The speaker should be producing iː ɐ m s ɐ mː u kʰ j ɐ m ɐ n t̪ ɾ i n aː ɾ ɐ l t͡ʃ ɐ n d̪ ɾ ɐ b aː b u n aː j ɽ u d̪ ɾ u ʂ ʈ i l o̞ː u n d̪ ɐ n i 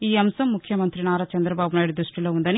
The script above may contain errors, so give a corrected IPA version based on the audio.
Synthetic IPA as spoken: iː ɐ m s ɐ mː u kʰ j ɐ m ɐ n t̪ ɾ i n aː ɾ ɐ t͡ʃ ɐ n d̪ ɾ ɐ b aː b u n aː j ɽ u d̪ ɾ u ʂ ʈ i l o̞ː u n d̪ ɐ n i

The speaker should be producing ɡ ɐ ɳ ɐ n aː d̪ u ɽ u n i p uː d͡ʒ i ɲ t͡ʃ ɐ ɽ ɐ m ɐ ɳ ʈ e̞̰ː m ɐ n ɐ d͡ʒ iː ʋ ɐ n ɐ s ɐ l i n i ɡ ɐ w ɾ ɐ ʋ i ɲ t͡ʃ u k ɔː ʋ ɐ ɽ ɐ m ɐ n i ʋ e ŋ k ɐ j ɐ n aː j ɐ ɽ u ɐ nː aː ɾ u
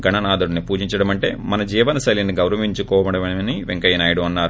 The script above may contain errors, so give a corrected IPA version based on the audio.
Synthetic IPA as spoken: ɡ ɐ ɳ ɐ n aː d̪ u ɽ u n i p uː d͡ʒ i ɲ t͡ʃ ɐ ɽ ɐ m ɐ ɳ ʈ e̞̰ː m ɐ n ɐ d͡ʒ iː ʋ ɐ n ɐ s ɐ l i n i ɡ ɐ w ɾ ɐ ʋ i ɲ t͡ʃ u k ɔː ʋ ɐ ɽ ɐ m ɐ n i ʋ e ŋ k ɐ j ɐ n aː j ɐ ɽ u ɐ nː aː ɾ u

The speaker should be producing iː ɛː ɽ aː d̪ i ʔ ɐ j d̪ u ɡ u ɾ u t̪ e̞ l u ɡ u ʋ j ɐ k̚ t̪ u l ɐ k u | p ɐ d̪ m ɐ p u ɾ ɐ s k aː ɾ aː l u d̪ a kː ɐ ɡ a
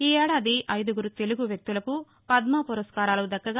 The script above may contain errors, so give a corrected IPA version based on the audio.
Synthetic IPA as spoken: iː ɛː ɽ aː d̪ i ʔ ɐ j d̪ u ɡ u ɾ u t̪ e̞ l u ɡ u ʋ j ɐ k̚ t̪ u l ɐ k u | p ɐ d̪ m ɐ p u ɾ ɐ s k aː ɾ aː l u d̪ ɐ kː ɐ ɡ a

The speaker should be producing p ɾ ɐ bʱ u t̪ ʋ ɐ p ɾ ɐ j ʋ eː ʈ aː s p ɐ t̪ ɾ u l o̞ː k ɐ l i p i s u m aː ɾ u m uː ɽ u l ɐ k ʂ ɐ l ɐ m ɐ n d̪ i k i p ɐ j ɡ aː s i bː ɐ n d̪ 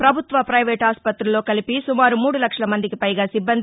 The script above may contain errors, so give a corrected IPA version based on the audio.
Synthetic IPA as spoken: p ɾ ɐ bʱ u t̪ ʋ ɐ p ɾ ɐ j ʋ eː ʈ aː s p ɐ t̪ ɾ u l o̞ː k ɐ l i p i s u m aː ɾ u m uː ɽ u l ɐ k ʂ ɐ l ɐ m ɐ n d̪ i k i p ɐ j ɡ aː s i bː ɐ n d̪

